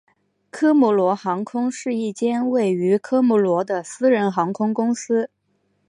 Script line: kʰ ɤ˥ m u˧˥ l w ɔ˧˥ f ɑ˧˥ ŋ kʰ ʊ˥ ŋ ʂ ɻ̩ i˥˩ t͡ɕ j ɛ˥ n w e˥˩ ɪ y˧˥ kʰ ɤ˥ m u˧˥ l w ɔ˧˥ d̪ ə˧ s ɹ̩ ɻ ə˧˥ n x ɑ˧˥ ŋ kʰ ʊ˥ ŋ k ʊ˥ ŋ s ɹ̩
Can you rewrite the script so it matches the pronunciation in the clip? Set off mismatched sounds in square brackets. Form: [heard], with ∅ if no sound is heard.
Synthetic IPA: kʰ ɤ˥ m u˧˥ l w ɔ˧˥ [x] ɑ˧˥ ŋ kʰ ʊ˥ ŋ ʂ ɻ̩ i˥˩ t͡ɕ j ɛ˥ n w e˥˩ ɪ y˧˥ kʰ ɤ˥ m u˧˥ l w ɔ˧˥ d̪ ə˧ s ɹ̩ ɻ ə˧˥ n x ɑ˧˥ ŋ kʰ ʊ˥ ŋ k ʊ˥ ŋ s ɹ̩